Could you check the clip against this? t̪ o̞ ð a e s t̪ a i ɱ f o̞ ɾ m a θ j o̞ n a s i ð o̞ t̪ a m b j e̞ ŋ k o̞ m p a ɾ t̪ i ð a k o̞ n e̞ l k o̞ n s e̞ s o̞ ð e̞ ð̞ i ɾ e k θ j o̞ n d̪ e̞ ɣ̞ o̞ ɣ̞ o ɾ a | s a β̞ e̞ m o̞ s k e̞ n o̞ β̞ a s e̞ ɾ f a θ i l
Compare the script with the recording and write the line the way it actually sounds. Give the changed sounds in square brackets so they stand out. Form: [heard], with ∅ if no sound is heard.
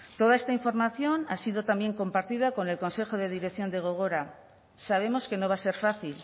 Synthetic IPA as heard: t̪ o̞ ð a e s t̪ a i ɱ f o̞ ɾ m a θ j o̞ n a s i ð o̞ t̪ a m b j e̞ ŋ k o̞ m p a ɾ t̪ i ð a k o̞ n e̞ l k o̞ n s e̞ [x] o̞ ð e̞ ð̞ i ɾ e k θ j o̞ n d̪ e̞ ɣ̞ o̞ ɣ̞ o ɾ a | s a β̞ e̞ m o̞ s k e̞ n o̞ β̞ a s e̞ ɾ f a θ i l

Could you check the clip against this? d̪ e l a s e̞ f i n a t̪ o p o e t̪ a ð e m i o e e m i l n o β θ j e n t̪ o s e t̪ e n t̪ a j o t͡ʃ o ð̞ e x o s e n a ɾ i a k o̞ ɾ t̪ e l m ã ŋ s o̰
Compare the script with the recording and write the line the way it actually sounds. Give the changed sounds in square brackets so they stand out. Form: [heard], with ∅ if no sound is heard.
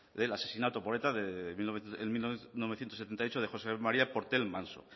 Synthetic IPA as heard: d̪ e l a s e̞ [s] i n a t̪ o p o e t̪ a ð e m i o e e m i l n o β θ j e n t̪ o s e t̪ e n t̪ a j o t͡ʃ o ð̞ e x o s e [m] a ɾ i a [p] o̞ ɾ t̪ e l m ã [n] s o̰

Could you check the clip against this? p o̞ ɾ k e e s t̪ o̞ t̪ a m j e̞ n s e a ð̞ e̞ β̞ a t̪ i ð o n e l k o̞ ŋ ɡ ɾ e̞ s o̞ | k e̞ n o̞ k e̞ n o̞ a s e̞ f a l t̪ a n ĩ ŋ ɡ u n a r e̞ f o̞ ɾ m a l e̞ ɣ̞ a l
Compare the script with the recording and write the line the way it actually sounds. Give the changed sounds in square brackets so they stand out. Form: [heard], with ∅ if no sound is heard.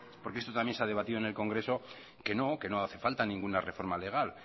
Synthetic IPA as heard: p o̞ ɾ k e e s t̪ o̞ t̪ a m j e̞ n s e a ð̞ e̞ β̞ a t̪ i ð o n e l k o̞ ŋ ɡ ɾ e̞ s o̞ | k e̞ n o̞ k e̞ n o̞ a [θ] e̞ f a l t̪ a n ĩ ŋ ɡ u n a r e̞ f o̞ ɾ m a l e̞ ɣ̞ a l

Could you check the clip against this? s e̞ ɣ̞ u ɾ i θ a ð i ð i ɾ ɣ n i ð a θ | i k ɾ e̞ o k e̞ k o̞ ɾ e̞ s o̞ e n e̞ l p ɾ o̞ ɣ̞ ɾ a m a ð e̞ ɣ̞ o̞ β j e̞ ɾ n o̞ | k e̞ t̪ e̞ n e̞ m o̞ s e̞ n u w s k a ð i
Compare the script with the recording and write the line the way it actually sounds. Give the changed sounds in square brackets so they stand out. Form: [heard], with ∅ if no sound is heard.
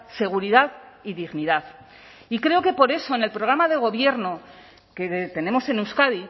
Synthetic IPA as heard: s e̞ ɣ̞ u ɾ i [ð] a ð i ð i [∅] ɣ n i ð a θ | i k ɾ e̞ o k e̞ [p] o̞ ɾ e̞ s o̞ e n e̞ l p ɾ o̞ ɣ̞ ɾ a m a ð e̞ ɣ̞ o̞ β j e̞ ɾ n o̞ | k e̞ t̪ e̞ n e̞ m o̞ s e̞ n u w s k a ð i

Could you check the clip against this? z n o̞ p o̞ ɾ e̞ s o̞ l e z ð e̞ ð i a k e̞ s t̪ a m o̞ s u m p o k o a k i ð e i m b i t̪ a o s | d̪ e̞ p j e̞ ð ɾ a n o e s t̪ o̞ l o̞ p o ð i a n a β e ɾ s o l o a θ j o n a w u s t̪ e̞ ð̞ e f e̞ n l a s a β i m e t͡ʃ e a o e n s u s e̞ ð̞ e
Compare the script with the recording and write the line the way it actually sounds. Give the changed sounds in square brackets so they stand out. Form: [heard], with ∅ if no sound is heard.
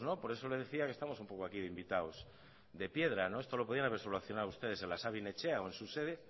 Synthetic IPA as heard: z n o̞ p o̞ ɾ e̞ s o̞ l e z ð e̞ [θ] i a k e̞ s t̪ a m o̞ s u m p o k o a k i ð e i m b i t̪ a o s | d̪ e̞ p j e̞ ð ɾ a n o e s t̪ o̞ l o̞ p o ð i a n a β e ɾ s o l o a θ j o n a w u s t̪ e̞ ð̞ e [s] e̞ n l a s a β i [n] e t͡ʃ e a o e n s u s e̞ ð̞ e

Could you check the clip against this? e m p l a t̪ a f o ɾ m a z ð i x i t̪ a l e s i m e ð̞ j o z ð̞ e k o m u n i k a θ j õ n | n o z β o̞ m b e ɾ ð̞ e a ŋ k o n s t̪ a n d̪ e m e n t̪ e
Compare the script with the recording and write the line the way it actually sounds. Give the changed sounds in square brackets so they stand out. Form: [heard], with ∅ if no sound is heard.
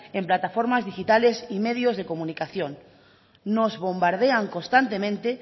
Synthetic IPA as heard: e m p l a t̪ a f o ɾ m a z ð i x i t̪ a l e s i m e ð̞ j o z ð̞ e k o m u n i k a θ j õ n | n o z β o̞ m b [a] ɾ ð̞ e a ŋ k o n s t̪ a n [t̪] e m [ẽ] n t̪ e

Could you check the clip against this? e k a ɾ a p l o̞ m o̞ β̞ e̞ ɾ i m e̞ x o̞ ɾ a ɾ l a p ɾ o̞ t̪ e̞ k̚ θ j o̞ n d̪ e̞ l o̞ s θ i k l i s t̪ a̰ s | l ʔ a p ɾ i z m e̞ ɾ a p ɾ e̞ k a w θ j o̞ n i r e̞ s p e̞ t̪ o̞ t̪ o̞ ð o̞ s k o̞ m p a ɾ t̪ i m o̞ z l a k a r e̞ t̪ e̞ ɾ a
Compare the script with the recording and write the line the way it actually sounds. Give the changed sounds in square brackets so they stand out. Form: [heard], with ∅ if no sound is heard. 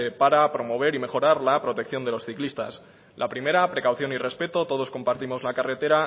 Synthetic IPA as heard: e [p] a ɾ a p [ɾ] o̞ m o̞ β̞ e̞ ɾ i m e̞ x o̞ ɾ a ɾ l a p ɾ o̞ t̪ e̞ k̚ θ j o̞ n d̪ e̞ l o̞ s θ i k l i s t̪ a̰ s | l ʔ a p ɾ i [∅] m e̞ ɾ a p ɾ e̞ k a w θ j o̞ n i r e̞ s p e̞ t̪ o̞ t̪ o̞ ð o̞ s k o̞ m p a ɾ t̪ i m o̞ z l a k a r e̞ t̪ e̞ ɾ a

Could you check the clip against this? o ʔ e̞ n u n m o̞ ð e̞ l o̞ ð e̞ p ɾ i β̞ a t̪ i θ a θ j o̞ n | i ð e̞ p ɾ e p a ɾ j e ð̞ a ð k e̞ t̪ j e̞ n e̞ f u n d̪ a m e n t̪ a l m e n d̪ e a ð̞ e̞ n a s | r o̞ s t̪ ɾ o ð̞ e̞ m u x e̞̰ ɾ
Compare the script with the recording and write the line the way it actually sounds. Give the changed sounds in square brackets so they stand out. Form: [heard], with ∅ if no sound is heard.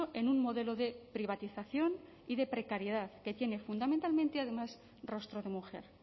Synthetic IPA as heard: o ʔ e̞ n u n m o̞ ð e̞ l o̞ ð e̞ p ɾ i β̞ a t̪ i θ a θ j o̞ n | i ð e̞ p ɾ e [k] a ɾ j e ð̞ a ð k e̞ t̪ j e̞ n e̞ f u n d̪ a m e n t̪ a l m e n [t̪] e a ð̞ e̞ [m] a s | r o̞ s t̪ ɾ o ð̞ e̞ m u x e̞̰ ɾ

